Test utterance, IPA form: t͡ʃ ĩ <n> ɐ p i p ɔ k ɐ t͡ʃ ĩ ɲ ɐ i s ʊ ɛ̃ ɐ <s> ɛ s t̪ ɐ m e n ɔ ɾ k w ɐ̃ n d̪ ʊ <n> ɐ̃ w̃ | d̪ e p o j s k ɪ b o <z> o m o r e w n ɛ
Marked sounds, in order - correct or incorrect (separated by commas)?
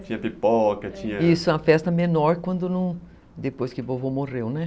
incorrect, incorrect, correct, incorrect